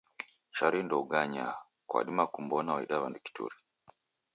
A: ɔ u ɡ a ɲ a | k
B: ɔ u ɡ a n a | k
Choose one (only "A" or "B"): A